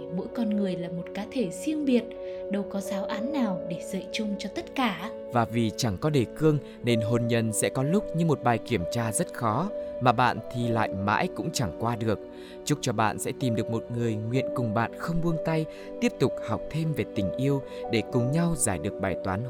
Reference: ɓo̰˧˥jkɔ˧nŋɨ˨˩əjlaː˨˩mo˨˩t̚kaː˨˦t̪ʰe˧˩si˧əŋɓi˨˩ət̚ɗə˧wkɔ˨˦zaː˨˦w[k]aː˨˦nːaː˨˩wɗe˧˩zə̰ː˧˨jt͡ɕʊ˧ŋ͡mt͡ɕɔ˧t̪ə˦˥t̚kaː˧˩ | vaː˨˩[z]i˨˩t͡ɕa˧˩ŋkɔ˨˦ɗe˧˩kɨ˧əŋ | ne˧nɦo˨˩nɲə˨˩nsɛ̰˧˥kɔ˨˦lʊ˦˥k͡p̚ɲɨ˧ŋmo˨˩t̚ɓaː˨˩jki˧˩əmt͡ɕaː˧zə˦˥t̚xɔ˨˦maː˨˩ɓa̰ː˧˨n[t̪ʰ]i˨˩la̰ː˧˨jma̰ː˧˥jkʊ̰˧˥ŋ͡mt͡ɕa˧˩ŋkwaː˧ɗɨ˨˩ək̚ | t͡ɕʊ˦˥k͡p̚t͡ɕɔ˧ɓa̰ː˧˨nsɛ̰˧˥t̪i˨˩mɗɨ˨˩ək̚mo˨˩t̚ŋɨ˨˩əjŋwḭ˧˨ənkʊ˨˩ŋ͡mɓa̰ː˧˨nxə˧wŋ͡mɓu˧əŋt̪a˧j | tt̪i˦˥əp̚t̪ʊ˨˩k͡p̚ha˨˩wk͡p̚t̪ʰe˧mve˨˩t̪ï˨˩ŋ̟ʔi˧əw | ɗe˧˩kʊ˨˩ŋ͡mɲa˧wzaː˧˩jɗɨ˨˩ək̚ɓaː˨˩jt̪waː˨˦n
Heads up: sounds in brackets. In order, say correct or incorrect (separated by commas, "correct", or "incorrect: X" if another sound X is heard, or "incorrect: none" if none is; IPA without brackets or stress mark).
incorrect: ʔ, incorrect: v, correct